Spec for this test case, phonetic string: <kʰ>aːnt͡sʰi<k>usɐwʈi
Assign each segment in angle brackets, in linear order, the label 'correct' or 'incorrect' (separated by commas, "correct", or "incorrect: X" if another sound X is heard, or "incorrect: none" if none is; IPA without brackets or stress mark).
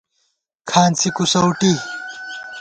correct, correct